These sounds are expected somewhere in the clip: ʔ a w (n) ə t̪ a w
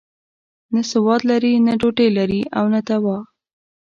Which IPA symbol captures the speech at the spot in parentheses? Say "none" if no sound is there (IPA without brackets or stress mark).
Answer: n